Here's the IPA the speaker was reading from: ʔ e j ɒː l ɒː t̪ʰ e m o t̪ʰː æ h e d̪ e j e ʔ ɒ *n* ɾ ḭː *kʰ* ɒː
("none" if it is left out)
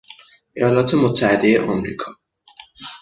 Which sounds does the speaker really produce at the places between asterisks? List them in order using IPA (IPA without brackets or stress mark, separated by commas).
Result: m, kʰ